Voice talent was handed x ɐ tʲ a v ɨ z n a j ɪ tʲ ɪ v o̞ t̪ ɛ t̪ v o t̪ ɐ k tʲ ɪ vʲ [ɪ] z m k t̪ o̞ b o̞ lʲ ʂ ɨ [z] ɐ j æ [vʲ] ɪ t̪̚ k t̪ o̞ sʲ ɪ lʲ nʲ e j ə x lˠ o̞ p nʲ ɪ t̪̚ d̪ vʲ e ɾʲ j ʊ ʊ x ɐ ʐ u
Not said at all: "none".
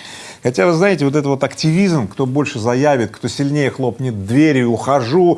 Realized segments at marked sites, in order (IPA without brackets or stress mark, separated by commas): i, z, vʲ